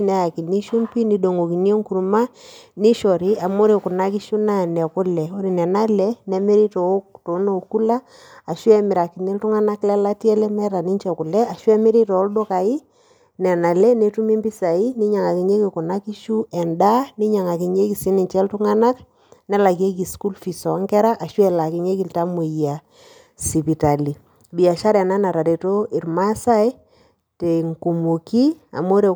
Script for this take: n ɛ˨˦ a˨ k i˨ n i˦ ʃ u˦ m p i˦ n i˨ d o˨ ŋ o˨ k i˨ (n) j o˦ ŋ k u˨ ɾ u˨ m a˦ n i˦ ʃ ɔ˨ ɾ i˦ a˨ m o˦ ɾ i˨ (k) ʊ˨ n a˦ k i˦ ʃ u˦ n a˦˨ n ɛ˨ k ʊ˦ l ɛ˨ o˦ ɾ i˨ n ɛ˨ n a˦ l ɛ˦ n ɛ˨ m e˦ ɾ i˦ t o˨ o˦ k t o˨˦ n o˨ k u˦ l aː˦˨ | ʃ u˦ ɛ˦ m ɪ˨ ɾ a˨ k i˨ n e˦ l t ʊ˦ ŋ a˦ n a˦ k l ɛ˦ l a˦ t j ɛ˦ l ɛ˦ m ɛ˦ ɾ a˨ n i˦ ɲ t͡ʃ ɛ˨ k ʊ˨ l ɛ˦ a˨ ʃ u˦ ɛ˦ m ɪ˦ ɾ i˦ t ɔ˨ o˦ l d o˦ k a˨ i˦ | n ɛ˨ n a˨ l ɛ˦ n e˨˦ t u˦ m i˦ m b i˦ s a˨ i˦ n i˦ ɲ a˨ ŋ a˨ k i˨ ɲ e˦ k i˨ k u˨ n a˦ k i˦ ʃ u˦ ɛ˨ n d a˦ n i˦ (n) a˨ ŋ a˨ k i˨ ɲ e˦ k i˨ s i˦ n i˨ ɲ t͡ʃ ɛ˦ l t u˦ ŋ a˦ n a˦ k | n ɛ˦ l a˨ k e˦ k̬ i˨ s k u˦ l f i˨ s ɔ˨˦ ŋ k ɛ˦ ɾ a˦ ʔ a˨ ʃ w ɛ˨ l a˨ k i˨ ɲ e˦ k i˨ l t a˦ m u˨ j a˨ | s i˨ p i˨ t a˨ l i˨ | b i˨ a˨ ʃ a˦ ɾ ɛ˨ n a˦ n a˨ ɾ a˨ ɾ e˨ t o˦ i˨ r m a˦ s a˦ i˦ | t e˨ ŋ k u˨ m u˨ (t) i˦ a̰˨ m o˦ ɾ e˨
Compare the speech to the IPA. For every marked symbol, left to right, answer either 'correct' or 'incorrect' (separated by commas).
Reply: correct, correct, incorrect, incorrect